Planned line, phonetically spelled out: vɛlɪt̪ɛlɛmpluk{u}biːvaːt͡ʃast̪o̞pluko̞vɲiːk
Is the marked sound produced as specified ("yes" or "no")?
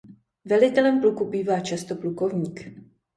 yes